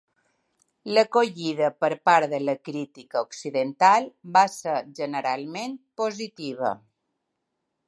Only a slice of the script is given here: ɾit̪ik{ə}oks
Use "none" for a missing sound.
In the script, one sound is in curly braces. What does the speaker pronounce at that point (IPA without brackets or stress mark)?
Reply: ə